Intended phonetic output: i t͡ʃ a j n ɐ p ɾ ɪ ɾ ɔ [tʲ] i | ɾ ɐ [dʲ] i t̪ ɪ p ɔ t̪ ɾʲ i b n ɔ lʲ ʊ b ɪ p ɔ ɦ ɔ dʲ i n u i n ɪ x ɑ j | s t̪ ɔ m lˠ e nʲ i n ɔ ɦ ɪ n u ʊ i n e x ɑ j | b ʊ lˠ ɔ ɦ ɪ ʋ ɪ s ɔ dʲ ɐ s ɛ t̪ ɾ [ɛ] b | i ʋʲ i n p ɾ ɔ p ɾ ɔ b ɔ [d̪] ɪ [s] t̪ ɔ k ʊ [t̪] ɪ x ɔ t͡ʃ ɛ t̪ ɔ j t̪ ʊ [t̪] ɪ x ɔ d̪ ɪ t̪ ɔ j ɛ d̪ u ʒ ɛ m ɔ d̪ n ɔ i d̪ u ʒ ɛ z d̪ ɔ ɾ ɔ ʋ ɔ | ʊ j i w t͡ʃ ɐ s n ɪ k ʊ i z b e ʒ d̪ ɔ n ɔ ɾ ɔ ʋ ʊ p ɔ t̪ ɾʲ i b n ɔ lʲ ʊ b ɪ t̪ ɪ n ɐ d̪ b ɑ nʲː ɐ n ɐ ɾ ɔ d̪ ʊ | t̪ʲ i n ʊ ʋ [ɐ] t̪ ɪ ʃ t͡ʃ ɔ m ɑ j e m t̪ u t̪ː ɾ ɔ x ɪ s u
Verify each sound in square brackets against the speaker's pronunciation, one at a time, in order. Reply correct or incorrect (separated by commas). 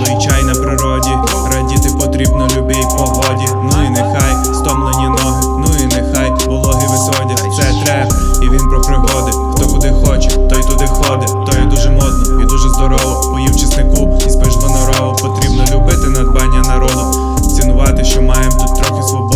incorrect, correct, correct, correct, incorrect, incorrect, incorrect, incorrect